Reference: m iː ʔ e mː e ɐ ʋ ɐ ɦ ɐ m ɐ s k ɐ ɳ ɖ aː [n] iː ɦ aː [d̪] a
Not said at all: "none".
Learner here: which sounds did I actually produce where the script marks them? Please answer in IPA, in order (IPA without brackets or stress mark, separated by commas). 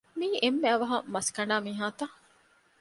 m, t̪